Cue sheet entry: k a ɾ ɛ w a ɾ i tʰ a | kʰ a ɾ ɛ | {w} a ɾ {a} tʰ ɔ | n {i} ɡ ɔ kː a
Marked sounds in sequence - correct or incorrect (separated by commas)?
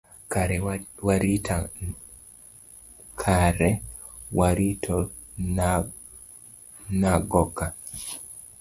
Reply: correct, incorrect, incorrect